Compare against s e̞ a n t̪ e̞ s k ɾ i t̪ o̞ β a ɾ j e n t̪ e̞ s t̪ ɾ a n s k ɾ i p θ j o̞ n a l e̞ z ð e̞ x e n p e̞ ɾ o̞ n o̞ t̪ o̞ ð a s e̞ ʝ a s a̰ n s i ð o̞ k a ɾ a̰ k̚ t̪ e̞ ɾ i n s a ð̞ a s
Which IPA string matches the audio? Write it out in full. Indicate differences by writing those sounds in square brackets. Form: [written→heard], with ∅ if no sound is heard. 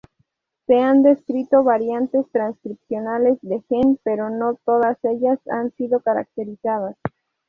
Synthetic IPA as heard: s e̞ a n [t̪→d̪] e̞ s k ɾ i t̪ o̞ β a ɾ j [e→a] n t̪ e̞ s t̪ ɾ a n s k ɾ i p [θ→s] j o̞ n a l e̞ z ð e̞ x e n p e̞ ɾ o̞ n o̞ t̪ o̞ ð a s e̞ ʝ a s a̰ n s i ð o̞ k a ɾ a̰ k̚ t̪ e̞ ɾ i [n→∅] s a ð̞ a s